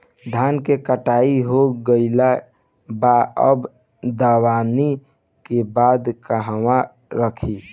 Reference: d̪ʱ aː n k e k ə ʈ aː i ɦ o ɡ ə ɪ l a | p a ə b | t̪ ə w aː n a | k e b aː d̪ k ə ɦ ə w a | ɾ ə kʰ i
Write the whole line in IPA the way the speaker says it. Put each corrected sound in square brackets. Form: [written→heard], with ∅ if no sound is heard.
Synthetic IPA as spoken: d̪ʱ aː n k e k ə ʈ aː i ɦ o ɡ ə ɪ l a | [p→b] a ə b | [t̪→d̪] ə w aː n [a→i] | k e b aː d̪ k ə ɦ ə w a | ɾ ə kʰ i